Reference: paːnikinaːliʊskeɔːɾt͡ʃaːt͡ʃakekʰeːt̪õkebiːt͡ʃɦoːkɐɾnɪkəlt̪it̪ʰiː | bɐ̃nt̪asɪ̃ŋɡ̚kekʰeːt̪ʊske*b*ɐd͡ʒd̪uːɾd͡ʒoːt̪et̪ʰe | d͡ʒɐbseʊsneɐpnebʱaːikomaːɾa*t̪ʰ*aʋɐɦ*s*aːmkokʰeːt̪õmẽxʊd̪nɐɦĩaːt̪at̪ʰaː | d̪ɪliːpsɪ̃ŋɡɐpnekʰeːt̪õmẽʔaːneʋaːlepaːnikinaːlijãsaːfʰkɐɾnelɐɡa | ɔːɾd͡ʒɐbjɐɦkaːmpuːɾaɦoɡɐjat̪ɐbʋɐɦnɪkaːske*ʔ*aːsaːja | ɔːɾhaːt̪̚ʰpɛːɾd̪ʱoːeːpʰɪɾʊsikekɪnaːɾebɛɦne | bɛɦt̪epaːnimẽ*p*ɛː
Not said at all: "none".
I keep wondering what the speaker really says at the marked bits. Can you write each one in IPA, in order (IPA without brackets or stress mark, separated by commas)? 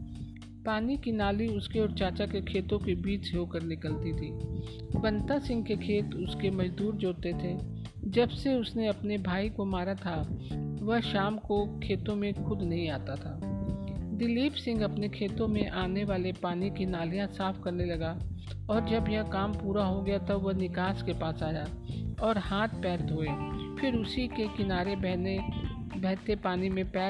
m, t̪ʰ, ʃ, p, p